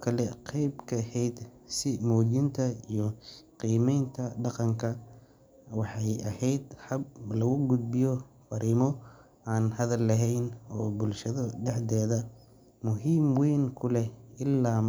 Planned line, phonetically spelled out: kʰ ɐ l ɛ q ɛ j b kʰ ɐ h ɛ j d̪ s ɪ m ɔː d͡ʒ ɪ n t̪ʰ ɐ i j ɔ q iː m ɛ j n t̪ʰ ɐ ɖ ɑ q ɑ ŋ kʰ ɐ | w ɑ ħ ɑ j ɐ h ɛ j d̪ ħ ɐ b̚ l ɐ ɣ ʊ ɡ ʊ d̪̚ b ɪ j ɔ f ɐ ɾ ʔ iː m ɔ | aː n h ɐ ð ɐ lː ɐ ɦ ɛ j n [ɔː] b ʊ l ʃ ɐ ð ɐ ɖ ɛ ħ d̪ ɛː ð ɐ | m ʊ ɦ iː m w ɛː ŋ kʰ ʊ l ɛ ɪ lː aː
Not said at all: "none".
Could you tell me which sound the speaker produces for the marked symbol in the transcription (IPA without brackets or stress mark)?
ɔː